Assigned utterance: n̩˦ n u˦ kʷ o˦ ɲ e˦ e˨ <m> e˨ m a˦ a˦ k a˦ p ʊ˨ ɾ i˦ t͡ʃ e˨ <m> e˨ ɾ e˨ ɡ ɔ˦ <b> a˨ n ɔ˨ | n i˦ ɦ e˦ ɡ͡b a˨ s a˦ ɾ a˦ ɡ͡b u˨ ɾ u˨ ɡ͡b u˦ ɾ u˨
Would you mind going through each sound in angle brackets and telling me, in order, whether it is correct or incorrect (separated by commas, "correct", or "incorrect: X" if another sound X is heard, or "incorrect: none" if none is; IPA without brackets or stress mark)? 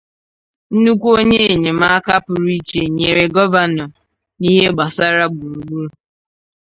incorrect: ɲ, incorrect: ɲ, incorrect: v